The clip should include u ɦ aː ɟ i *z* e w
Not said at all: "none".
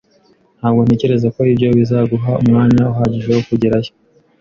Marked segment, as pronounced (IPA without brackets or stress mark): ʒ